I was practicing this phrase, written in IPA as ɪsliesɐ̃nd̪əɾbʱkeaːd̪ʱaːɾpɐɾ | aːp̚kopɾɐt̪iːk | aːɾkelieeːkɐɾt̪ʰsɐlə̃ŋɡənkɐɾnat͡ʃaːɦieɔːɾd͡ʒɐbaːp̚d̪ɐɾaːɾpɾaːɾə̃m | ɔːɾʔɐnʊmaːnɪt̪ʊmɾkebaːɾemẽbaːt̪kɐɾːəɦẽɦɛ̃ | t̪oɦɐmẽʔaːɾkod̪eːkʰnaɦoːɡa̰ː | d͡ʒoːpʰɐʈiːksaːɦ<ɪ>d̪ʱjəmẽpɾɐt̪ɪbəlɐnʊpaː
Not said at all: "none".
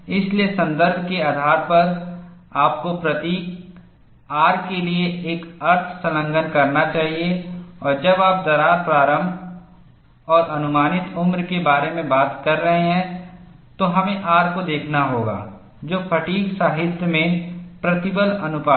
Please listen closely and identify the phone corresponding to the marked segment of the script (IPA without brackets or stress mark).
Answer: ɪ